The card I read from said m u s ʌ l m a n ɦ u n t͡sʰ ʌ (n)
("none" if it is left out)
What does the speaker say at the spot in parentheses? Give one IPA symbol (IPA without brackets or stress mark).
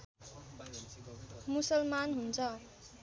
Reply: none